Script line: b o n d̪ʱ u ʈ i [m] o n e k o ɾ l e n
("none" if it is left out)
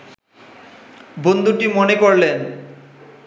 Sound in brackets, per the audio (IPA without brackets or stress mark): m